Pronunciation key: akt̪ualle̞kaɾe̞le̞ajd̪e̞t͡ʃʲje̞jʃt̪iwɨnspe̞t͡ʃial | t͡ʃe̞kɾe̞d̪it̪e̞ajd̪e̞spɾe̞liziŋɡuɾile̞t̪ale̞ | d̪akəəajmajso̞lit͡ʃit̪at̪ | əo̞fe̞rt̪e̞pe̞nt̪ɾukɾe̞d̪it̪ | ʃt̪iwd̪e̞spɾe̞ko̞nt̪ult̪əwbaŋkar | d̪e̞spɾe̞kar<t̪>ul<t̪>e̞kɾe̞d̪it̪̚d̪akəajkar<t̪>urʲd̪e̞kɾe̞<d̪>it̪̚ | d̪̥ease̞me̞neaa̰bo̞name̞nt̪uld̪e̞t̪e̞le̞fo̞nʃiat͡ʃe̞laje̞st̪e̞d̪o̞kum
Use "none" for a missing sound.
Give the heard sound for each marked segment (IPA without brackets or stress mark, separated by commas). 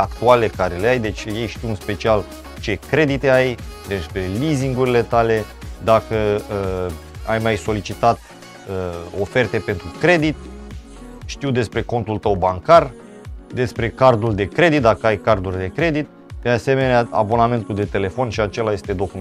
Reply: d̪, d̪, d̪, d̪